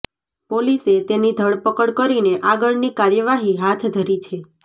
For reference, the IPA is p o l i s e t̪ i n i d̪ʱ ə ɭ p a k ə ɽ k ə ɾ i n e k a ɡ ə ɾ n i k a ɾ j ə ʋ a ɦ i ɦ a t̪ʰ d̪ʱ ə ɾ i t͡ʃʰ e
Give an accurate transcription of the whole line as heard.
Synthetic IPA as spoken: p o l i s e t̪ e n i d̪ʱ ə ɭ p ə k ə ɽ k ə ɾ i n e ʔ a ɡ ə ɭ n i k a ɾ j ə ʋ a ɦ i ɦ a t̪ʰ d̪ʱ ə ɾ i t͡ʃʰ e